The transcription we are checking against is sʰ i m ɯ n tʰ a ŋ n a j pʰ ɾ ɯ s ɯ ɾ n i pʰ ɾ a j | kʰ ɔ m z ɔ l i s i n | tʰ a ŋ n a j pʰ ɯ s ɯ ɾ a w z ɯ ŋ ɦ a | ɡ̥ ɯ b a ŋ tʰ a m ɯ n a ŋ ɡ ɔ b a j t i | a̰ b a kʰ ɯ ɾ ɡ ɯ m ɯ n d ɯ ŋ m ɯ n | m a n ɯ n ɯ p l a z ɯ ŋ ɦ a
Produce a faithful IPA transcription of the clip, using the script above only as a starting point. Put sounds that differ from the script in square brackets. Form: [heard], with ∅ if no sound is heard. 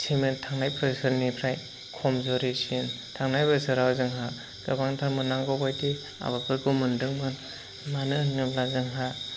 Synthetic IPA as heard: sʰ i m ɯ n tʰ a ŋ n a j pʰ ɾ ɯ s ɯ ɾ n i pʰ ɾ a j | kʰ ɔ m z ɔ [ɾ] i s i n | tʰ a ŋ n a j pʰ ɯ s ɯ ɾ a w z ɯ ŋ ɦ a | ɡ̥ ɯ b a ŋ tʰ a m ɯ n a ŋ ɡ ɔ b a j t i | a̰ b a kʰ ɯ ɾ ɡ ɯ m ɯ n d ɯ ŋ m ɯ n | m a n ɯ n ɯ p l a z ɯ ŋ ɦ a

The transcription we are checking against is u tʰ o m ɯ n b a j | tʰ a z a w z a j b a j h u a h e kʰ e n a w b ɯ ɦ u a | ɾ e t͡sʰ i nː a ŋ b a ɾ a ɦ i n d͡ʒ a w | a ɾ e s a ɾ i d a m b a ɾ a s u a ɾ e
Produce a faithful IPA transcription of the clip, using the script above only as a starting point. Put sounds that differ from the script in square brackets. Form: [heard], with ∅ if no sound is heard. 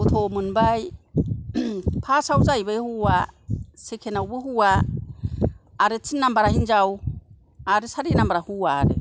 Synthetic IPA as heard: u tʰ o m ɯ n b a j | [pʰ] a [s] a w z a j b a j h u a [s] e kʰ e n a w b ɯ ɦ u a | ɾ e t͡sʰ i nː a [m] b a ɾ a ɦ i n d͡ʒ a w | a ɾ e s a ɾ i [n] a m b a ɾ a [h] u a ɾ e

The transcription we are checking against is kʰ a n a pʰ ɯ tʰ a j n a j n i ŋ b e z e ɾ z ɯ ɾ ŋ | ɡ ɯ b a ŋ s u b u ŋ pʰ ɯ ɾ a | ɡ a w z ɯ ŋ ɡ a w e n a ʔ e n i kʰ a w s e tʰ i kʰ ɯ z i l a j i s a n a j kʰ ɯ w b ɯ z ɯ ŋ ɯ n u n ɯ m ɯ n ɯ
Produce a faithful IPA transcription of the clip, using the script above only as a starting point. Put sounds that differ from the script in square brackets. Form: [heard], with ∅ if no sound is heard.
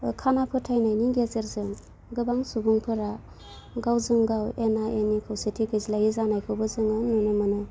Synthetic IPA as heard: kʰ a n a pʰ ɯ tʰ a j n a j n i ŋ [ɡ] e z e ɾ z ɯ [∅] ŋ | ɡ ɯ b a ŋ s u b u ŋ pʰ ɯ ɾ a | ɡ a w z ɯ ŋ ɡ a w e n a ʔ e n i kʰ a w s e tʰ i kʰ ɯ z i l a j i [z] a n a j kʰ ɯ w b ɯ z ɯ ŋ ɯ n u n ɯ m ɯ n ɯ

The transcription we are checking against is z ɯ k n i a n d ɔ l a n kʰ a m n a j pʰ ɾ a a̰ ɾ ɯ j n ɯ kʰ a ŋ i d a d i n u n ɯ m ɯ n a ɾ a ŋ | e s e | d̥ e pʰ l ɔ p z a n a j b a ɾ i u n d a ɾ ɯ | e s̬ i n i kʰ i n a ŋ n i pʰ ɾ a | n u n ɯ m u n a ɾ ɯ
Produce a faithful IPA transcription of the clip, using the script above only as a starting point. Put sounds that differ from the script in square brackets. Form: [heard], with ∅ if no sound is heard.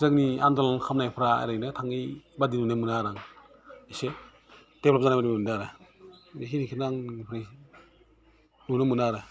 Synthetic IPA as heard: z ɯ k n i a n d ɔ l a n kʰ a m n a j pʰ ɾ a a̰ ɾ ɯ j n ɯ [tʰ] a ŋ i [b] a d i n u n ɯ m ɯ n a ɾ a ŋ | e s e | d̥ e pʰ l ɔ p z a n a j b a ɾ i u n d a ɾ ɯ | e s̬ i n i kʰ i n a ŋ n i pʰ ɾ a | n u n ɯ m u n a ɾ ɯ

